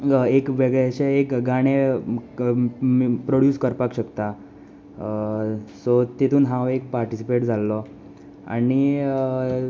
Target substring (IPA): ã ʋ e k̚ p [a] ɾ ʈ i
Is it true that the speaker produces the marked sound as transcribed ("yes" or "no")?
yes